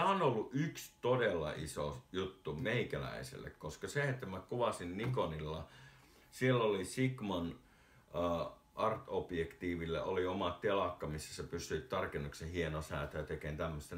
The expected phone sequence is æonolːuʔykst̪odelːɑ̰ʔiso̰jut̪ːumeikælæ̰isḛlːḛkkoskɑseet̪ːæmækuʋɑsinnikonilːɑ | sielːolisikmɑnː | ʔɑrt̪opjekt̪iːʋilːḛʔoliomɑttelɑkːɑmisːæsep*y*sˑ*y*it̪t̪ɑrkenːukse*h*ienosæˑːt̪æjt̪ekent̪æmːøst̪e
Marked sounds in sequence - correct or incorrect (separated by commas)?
correct, correct, correct